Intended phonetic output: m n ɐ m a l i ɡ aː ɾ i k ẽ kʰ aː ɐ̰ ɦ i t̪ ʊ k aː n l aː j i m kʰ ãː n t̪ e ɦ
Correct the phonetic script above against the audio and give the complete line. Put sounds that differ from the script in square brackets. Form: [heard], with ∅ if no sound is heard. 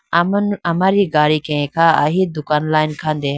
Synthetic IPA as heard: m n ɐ m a [ɾ] i ɡ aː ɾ i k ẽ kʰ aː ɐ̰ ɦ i [d̪] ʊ k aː n l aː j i [n] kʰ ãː n [d̪] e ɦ